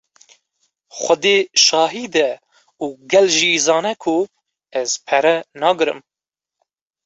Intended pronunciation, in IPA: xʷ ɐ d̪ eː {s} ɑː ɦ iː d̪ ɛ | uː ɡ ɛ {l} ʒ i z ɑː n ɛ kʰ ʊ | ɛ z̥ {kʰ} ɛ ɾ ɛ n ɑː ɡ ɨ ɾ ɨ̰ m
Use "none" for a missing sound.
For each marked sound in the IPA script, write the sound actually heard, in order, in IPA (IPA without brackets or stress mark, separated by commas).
ʃ, l, pʰ